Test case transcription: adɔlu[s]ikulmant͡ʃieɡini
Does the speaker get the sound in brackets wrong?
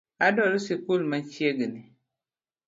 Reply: no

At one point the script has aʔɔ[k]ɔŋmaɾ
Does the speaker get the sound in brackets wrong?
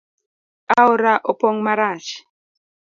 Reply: yes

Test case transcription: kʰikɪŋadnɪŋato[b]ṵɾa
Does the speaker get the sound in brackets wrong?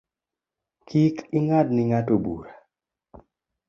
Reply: no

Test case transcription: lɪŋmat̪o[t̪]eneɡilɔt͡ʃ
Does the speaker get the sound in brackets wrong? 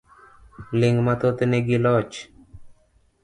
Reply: no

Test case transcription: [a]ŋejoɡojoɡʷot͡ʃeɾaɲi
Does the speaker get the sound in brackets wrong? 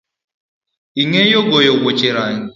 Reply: yes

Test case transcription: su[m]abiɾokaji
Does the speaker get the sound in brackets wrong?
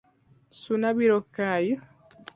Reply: yes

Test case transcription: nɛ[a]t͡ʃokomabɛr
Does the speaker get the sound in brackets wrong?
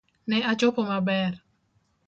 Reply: no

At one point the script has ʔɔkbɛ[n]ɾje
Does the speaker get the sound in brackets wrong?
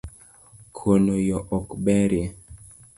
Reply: yes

